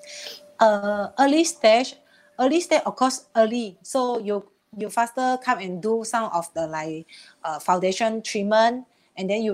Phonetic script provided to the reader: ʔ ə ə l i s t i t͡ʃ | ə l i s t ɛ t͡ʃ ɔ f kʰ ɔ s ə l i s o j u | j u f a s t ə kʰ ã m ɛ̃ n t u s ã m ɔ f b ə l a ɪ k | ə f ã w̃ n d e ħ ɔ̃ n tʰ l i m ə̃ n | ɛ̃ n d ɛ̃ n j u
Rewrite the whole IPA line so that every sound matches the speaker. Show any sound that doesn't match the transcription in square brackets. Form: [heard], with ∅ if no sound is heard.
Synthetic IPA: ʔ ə ə l i s t [ɛ] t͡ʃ | ə l i s t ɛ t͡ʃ ɔ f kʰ ɔ s ə l i s o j u | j u f a s t ə kʰ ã m ɛ̃ n [d] u s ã m ɔ f [d] ə l a ɪ k | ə f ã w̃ n d e [ʃ] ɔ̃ n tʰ [ɹ] i m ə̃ n | ɛ̃ n d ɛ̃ n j u